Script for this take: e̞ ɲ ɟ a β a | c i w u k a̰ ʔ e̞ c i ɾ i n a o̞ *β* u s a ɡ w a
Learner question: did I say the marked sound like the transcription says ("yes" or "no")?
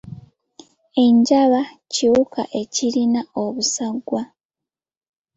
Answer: yes